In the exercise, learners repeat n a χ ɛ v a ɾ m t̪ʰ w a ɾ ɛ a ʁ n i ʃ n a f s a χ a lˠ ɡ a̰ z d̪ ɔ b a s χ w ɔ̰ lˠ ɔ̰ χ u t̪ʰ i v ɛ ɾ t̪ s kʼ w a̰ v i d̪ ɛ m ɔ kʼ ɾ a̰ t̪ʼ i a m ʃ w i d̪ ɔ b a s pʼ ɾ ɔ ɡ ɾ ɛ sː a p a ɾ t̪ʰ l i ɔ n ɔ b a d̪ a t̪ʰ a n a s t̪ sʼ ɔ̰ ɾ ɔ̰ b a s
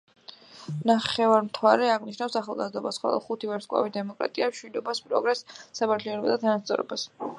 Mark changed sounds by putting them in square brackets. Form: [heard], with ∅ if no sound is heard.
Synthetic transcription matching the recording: n a χ ɛ v a ɾ m t̪ʰ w a ɾ ɛ a ʁ n i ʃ n a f s a χ a lˠ ɡ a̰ z d̪ ɔ b a s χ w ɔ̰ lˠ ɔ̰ χ u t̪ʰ i v ɛ ɾ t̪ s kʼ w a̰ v i d̪ ɛ m ɔ kʼ ɾ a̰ t̪ʼ i a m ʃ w i d̪ ɔ b a s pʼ ɾ ɔ ɡ ɾ ɛ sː a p a ɾ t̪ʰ l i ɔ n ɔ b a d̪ a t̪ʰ a n a s t̪ sʼ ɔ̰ ɾ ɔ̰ b a s